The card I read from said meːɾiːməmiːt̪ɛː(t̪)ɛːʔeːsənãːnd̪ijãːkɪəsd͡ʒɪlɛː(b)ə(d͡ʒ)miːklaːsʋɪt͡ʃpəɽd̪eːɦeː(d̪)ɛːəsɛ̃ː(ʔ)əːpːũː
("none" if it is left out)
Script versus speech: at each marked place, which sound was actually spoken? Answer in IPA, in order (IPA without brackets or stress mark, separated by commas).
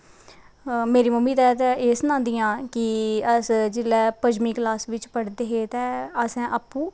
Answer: t̪, p, d͡ʒ, t̪, ʔ